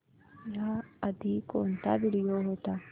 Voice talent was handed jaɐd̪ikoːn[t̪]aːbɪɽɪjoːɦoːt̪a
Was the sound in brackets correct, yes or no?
yes